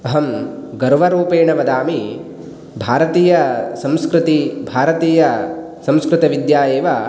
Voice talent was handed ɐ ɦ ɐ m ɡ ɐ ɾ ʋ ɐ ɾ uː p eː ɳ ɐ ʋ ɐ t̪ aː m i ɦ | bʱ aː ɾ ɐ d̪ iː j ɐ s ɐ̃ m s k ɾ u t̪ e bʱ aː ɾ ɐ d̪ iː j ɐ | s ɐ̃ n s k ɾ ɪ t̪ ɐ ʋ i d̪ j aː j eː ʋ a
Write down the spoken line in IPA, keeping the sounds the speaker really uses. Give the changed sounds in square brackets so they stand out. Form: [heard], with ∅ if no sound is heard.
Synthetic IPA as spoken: ɐ ɦ ɐ m ɡ ɐ ɾ ʋ ɐ ɾ uː p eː ɳ ɐ ʋ ɐ [d̪] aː m i [∅] | bʱ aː ɾ ɐ [t̪] iː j ɐ s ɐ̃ m s k ɾ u t̪ [i] bʱ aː ɾ ɐ [t̪] iː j ɐ | s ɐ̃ [m] s k ɾ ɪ t̪ ɐ ʋ i d̪ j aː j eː ʋ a